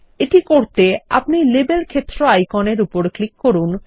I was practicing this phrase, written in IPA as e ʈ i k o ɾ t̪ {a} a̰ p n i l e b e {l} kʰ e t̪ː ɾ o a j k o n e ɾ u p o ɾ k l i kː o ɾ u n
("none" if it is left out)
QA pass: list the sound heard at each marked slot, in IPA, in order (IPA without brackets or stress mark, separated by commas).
e, l